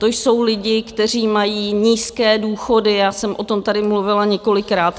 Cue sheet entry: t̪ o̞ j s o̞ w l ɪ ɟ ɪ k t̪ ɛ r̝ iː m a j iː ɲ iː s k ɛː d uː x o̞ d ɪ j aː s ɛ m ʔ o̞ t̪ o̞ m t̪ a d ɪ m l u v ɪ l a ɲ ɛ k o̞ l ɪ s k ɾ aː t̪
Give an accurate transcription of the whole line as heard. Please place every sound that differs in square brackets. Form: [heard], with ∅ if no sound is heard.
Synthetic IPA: t̪ o̞ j s o̞ w l ɪ ɟ ɪ k t̪ ɛ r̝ iː m a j iː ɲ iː s k ɛː d uː x o̞ d ɪ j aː s ɛ m ʔ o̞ t̪ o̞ m t̪ a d ɪ m l u v ɪ l a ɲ ɛ k o̞ l ɪ [∅] k ɾ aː t̪